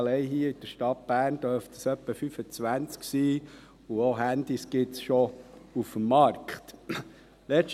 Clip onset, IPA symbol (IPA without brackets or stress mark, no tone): l